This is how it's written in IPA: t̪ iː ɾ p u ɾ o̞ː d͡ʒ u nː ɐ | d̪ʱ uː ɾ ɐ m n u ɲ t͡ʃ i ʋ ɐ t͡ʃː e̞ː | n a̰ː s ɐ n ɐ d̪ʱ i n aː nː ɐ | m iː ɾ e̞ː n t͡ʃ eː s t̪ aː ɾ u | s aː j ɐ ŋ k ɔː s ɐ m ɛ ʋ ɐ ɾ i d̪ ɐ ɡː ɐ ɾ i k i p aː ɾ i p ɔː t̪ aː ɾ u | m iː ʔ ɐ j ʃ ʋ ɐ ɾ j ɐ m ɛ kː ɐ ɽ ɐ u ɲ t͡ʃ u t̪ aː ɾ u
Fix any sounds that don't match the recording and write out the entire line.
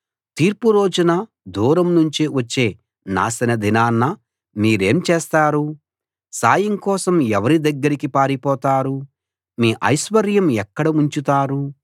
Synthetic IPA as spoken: t̪ iː ɾ p u ɾ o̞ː d͡ʒ u n ɐ | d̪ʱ uː ɾ ɐ m n u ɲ t͡ʃ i ʋ ɐ t͡ʃː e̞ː | n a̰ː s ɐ n ɐ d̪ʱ i n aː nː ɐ | m iː ɾ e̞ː m t͡ʃ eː s t̪ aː ɾ u | s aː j ɐ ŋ k ɔː s ɐ m ɛ ʋ ɐ ɾ i d̪ ɐ ɡː ɐ ɾ i k i p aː ɾ i p ɔː t̪ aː ɾ u | m iː ʔ ɐ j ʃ ʋ ɐ ɾ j ɐ m ɛ kː ɐ ɽ ɐ u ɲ t͡ʃ u t̪ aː ɾ u